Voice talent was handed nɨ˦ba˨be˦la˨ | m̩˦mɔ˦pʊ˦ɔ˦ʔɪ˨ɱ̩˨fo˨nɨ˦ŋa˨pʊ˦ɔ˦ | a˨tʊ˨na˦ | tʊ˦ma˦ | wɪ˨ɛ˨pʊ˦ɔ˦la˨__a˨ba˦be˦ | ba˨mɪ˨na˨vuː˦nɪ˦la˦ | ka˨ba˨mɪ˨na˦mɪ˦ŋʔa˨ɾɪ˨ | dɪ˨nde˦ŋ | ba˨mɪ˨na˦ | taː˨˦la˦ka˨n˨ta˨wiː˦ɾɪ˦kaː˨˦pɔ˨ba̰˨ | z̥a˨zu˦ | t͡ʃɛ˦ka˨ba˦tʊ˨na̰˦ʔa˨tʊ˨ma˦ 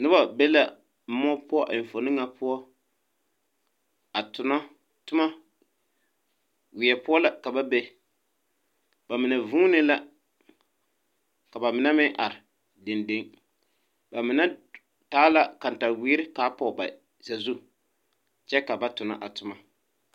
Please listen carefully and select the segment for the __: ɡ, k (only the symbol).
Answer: k